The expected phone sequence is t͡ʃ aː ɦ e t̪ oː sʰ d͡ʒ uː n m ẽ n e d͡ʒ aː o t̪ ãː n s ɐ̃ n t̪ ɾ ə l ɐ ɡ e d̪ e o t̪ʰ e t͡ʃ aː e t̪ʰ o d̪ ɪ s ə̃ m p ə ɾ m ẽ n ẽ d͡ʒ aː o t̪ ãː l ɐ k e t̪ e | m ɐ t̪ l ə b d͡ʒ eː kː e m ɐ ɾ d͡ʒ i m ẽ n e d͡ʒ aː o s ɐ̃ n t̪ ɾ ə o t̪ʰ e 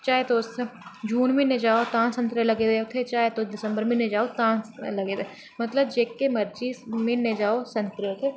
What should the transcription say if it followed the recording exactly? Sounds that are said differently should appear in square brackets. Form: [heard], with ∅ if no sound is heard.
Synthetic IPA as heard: t͡ʃ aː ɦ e t̪ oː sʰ d͡ʒ uː n m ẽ n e d͡ʒ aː o t̪ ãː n s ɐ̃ n t̪ ɾ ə l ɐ ɡ e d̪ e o t̪ʰ e t͡ʃ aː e [t̪] o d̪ ɪ s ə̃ m [b] ə ɾ m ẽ n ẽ d͡ʒ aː o t̪ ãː l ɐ [ɡ] e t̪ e | m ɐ t̪ l ə b d͡ʒ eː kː e m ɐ ɾ d͡ʒ i m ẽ n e d͡ʒ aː o s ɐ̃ n t̪ ɾ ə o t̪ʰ e